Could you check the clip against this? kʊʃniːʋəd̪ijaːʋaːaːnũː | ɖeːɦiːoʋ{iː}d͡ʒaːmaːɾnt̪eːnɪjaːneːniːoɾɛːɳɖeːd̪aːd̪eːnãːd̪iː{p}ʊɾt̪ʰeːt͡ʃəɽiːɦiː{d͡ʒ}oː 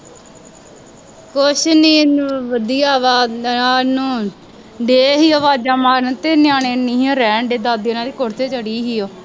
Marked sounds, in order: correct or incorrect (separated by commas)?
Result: incorrect, incorrect, incorrect